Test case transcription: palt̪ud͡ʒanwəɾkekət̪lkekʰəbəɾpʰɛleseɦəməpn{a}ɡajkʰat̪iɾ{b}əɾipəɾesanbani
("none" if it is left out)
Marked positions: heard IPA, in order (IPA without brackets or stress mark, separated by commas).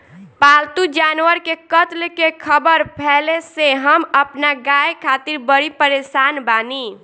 a, b